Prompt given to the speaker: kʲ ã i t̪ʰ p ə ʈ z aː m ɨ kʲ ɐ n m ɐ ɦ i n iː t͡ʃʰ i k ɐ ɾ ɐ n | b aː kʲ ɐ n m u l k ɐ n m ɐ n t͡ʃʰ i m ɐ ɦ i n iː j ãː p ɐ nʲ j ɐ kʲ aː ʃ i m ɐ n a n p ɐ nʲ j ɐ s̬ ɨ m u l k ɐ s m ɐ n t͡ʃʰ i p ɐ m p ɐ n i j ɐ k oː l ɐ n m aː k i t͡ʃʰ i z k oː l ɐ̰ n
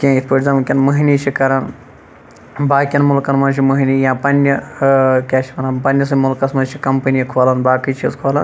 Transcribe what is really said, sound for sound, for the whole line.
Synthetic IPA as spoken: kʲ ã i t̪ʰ p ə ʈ z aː m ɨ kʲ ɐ n m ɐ ɦ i n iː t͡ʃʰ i k ɐ ɾ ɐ n | b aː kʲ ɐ n m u l k ɐ n m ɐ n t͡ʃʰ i m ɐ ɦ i n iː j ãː p ɐ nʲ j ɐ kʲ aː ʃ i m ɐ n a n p ɐ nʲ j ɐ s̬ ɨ m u l k ɐ s m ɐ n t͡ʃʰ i k ɐ m p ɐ n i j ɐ kʰ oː l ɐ n b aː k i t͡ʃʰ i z kʰ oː l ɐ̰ n